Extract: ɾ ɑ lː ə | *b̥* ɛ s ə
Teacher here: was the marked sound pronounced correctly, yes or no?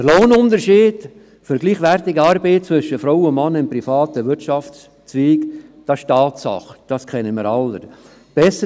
yes